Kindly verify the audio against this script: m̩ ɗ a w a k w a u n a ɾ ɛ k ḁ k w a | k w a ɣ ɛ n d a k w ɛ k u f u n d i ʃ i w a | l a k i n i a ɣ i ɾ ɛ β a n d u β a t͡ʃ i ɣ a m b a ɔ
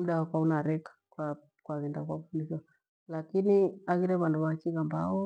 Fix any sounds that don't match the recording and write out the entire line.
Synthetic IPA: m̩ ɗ a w a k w a u n a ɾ ɛ k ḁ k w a | k w a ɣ ɛ n d a k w a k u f u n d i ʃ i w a | l a k i n i a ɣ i ɾ ɛ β a n d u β a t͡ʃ i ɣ a m b a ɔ